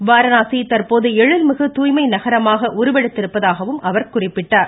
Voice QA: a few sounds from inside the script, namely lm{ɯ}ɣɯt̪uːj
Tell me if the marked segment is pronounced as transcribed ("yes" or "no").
yes